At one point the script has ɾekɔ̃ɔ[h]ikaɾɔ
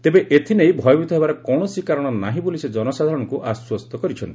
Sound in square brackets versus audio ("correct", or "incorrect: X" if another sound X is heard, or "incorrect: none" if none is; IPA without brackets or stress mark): incorrect: s